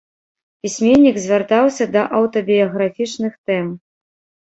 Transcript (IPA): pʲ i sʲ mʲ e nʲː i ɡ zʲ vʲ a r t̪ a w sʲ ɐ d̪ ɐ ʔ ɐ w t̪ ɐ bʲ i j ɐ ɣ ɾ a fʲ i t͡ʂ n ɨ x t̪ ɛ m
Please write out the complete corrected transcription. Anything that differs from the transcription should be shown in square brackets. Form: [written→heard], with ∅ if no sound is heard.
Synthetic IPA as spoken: pʲ i sʲ mʲ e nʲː i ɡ zʲ vʲ a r t̪ a w sʲ ɐ d̪ ɐ ʔ ɐ w t̪ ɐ bʲ i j ɐ ɣ ɾ a fʲ i t͡ʂ n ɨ x t̪ ɛ m